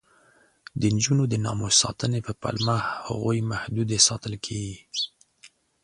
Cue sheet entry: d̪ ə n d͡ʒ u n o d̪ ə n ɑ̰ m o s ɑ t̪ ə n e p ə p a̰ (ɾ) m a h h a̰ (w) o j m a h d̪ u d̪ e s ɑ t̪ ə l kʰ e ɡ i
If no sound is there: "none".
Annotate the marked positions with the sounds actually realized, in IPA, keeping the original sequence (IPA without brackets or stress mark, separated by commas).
l, ɣ